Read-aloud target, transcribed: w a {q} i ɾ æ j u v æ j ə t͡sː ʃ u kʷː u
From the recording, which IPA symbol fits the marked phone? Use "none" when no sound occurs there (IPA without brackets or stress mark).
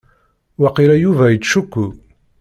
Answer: q